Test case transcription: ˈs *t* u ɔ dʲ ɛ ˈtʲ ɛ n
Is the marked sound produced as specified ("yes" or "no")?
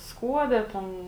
no